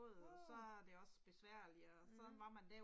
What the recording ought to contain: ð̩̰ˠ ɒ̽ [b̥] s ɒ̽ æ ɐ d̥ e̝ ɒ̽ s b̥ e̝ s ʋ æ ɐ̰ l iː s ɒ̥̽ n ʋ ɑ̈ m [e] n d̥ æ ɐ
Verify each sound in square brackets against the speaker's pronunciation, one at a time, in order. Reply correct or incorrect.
incorrect: none, incorrect: æ

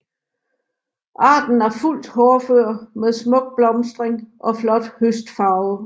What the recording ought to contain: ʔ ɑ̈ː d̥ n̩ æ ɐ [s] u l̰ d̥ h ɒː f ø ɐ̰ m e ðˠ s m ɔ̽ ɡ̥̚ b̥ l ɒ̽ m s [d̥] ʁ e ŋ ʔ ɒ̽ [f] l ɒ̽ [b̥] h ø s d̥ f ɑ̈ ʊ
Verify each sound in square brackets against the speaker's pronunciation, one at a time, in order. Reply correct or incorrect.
incorrect: f, correct, correct, incorrect: d̥

